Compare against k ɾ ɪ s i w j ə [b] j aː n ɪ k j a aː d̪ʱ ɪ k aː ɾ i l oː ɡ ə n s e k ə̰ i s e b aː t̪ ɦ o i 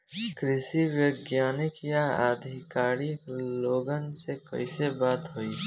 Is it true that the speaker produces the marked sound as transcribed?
no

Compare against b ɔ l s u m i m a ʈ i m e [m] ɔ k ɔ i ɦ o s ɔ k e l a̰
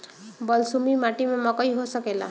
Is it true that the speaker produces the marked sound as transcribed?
yes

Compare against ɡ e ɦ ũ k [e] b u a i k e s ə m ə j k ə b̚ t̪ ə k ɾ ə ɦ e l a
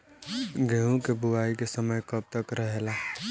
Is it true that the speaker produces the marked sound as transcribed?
yes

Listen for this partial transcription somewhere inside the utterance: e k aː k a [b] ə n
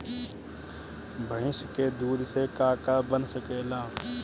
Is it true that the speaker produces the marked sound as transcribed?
yes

